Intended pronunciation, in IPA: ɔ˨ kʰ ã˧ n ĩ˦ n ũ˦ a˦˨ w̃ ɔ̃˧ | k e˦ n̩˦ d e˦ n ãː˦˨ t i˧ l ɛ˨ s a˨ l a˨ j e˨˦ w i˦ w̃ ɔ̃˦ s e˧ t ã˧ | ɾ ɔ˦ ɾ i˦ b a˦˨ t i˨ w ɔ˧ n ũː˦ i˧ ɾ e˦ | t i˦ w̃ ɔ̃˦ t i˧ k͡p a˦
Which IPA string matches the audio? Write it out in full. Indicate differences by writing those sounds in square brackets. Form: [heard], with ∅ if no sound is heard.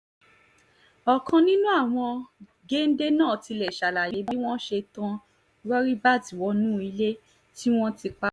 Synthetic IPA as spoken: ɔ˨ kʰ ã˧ n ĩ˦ n ũ˦ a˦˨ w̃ ɔ̃˧ | [ɡ] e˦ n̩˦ d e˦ n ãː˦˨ t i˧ l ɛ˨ [ʃ] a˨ l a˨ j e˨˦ [b] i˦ w̃ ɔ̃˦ [ʃ] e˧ t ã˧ | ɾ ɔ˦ ɾ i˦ b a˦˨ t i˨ w ɔ˧ n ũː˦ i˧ [l] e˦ | t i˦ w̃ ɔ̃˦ t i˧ k͡p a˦